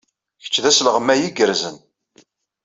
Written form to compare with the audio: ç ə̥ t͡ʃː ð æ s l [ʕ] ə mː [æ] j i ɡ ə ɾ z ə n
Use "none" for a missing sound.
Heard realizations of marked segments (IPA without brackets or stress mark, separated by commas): ʁ, æ